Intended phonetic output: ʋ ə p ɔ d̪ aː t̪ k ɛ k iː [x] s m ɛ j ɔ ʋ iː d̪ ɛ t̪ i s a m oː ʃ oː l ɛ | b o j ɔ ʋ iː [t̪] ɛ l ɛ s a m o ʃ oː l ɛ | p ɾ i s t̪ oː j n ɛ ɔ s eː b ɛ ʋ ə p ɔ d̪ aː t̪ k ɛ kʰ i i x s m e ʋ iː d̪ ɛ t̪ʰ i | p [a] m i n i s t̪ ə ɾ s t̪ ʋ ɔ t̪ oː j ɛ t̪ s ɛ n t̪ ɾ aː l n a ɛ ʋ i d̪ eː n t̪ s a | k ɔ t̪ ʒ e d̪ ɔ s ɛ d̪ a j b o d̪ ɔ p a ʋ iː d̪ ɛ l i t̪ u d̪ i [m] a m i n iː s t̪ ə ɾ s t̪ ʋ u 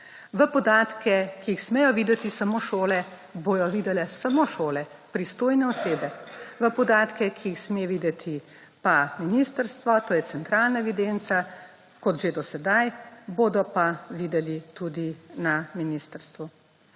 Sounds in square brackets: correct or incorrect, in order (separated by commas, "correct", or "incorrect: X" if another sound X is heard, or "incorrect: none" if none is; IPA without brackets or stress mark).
correct, incorrect: d̪, correct, incorrect: n